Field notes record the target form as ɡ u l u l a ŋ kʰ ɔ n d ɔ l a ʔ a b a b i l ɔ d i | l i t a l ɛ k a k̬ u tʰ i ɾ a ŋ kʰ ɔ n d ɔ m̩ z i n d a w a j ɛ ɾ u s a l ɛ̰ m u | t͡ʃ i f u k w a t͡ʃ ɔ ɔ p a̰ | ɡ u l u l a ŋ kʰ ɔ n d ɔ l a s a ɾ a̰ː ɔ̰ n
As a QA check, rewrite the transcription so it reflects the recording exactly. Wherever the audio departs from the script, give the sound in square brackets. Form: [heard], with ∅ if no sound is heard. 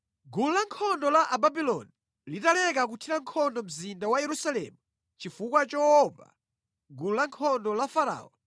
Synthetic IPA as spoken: ɡ u l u l a ŋ kʰ ɔ n d ɔ l a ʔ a b a b i l ɔ [n] i | l i t a l ɛ k a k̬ u tʰ i ɾ a ŋ kʰ ɔ n d ɔ m̩ z i n d a w a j ɛ ɾ u s a l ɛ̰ m u | t͡ʃ i f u k w a t͡ʃ ɔ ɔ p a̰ | ɡ u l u l a ŋ kʰ ɔ n d ɔ l a [f] a ɾ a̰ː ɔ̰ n